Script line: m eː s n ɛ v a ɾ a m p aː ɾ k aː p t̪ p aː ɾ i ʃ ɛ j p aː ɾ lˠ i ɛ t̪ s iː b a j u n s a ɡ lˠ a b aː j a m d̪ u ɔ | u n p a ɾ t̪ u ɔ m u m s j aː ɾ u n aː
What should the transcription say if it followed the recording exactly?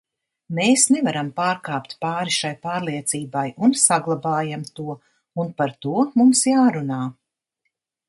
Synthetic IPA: m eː s n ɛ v a ɾ a m p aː ɾ k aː p t̪ p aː ɾ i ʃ a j p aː ɾ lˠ i ɛ t̪ s iː b a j u n s a ɡ lˠ a b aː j a m t̪ u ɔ | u n p a ɾ t̪ u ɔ m u m s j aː ɾ u n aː